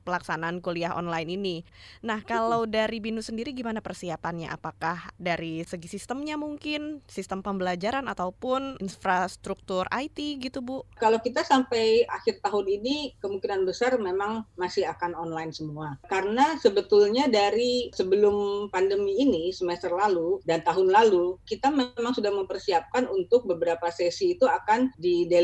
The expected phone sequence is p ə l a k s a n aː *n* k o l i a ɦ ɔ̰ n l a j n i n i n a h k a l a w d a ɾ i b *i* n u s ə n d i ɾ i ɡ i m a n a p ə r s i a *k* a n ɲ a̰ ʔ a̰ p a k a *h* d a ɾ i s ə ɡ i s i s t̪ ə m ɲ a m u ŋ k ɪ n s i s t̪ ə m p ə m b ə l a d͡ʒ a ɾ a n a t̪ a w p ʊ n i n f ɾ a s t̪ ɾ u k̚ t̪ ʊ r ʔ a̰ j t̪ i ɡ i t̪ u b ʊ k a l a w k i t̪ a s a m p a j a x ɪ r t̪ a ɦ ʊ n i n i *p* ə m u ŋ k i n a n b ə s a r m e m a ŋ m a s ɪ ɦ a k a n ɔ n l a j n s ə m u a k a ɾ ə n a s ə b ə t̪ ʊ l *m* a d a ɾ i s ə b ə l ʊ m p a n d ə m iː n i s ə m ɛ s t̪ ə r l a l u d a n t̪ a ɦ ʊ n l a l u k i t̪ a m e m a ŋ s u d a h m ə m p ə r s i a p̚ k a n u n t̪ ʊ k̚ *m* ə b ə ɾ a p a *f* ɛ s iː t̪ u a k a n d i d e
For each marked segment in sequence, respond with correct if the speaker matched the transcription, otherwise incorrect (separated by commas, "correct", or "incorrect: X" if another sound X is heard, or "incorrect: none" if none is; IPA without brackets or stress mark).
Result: correct, correct, incorrect: p, correct, incorrect: k, incorrect: ɲ, incorrect: b, incorrect: s